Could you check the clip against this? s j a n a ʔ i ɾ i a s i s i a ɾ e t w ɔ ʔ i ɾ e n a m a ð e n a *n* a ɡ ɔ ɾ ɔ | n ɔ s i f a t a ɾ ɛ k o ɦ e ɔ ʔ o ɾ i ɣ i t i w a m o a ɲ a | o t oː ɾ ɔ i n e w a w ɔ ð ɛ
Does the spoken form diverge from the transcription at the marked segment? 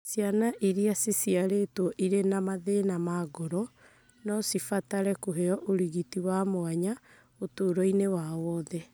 yes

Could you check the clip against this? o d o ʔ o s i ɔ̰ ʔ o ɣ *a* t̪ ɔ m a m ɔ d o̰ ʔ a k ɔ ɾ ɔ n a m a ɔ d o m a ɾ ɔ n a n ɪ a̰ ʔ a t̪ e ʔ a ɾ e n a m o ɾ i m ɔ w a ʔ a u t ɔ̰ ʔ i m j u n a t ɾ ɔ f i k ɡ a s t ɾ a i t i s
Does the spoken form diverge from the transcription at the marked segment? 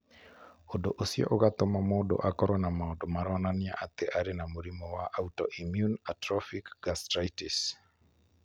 no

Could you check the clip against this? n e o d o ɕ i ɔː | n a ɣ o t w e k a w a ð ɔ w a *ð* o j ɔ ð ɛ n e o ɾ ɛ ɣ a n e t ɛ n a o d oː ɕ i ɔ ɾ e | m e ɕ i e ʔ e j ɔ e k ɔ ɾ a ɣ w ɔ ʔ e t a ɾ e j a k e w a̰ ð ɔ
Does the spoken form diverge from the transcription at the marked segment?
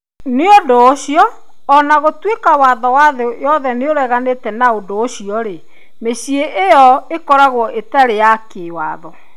no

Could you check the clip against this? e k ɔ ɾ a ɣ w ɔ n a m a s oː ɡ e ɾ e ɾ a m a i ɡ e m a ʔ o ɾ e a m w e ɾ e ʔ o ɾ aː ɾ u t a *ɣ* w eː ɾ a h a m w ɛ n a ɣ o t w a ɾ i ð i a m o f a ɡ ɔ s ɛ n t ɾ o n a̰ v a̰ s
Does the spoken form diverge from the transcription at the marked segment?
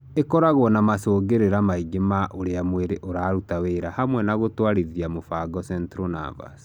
yes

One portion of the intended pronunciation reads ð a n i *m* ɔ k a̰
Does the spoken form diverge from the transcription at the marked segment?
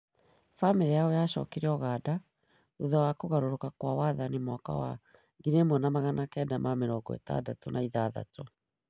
no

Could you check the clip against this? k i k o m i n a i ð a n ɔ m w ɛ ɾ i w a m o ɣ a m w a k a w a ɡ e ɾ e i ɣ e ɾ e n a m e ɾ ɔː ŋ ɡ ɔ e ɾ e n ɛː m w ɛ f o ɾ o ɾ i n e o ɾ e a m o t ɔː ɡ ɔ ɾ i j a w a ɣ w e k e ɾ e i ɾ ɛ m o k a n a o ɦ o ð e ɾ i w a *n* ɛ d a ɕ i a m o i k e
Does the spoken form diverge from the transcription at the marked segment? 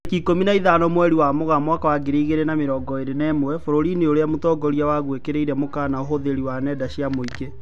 no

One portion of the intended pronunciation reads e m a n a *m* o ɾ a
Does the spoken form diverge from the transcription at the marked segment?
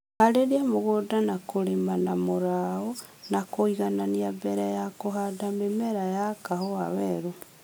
no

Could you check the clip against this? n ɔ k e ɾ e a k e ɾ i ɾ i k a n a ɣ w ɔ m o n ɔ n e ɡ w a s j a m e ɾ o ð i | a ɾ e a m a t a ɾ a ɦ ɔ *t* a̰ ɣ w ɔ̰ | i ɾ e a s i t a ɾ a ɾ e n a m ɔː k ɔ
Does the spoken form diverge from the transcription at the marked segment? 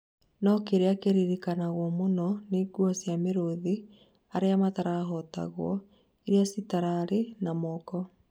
no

